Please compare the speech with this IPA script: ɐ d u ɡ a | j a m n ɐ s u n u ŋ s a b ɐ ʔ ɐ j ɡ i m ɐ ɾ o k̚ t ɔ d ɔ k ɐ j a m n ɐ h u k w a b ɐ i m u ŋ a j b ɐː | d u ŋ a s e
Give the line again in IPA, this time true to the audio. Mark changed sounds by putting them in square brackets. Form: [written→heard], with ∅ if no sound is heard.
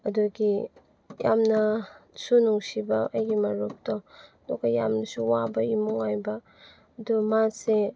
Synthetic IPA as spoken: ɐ d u ɡ [a→i] | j a m n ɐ s u n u ŋ s [a→i] b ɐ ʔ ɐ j ɡ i m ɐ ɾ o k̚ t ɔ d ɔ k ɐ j a m n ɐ [h→s] u [k→∅] w a b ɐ i m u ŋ a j b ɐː | d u [ŋ→m] a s e